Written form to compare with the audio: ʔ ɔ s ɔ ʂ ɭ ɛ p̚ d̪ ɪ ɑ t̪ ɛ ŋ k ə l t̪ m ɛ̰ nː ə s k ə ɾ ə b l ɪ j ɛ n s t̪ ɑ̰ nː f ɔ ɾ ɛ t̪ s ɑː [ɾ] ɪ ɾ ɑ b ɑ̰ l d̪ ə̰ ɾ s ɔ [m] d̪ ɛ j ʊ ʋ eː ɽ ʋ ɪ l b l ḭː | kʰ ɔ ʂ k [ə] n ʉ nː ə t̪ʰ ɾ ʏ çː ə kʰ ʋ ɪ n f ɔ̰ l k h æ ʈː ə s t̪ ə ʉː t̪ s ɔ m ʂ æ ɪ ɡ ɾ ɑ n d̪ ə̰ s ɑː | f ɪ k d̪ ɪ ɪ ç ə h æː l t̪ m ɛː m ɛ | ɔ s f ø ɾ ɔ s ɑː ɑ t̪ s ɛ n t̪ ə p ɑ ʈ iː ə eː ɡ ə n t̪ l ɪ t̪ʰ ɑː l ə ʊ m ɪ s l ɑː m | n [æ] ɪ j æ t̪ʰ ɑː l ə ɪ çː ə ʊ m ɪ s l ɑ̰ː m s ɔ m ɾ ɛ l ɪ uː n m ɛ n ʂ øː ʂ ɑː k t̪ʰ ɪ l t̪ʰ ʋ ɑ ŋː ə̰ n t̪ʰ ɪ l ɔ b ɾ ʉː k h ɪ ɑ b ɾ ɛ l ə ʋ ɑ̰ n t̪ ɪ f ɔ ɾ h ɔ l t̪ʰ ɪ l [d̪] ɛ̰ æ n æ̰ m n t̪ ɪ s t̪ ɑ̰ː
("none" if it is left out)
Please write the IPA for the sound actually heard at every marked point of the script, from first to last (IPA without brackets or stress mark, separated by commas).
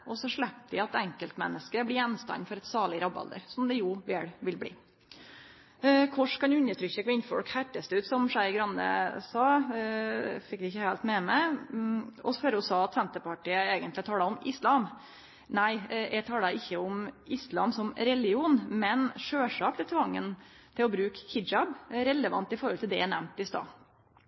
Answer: ɭ, m, ɑ, æ, d̪